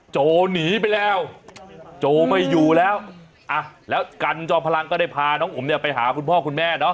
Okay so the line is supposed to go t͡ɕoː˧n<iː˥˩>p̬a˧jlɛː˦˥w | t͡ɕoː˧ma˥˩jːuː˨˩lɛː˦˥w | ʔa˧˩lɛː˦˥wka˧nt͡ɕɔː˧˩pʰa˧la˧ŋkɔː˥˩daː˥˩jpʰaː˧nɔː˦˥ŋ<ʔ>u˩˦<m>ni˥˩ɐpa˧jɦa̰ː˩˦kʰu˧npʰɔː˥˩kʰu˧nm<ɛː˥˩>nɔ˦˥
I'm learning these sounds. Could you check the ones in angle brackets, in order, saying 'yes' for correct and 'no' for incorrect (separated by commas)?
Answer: no, yes, yes, yes